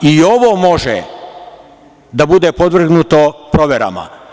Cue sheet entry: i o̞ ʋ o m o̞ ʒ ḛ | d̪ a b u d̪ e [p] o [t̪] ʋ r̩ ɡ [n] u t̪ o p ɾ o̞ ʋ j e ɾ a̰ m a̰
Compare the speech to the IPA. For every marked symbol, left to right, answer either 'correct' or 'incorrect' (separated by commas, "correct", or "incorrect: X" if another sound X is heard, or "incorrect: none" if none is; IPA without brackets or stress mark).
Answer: correct, incorrect: d̪, correct